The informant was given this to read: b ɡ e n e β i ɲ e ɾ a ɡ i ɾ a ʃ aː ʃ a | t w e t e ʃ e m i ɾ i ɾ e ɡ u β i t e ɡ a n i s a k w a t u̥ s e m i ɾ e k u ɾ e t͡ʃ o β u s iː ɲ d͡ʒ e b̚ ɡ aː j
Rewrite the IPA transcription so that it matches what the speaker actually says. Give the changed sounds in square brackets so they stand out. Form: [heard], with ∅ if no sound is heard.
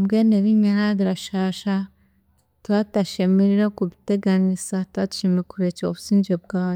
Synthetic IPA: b ɡ e n e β i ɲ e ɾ a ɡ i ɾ a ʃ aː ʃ a | t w [a] t [a] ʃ e m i ɾ i ɾ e [k] u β i t e ɡ a n i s a [t] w a t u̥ [ʃ] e m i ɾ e k u ɾ e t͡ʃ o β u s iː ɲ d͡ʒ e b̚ ɡ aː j